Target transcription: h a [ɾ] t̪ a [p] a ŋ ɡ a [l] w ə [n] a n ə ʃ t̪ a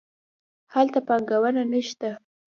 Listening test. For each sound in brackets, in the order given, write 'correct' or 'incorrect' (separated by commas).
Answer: incorrect, correct, incorrect, correct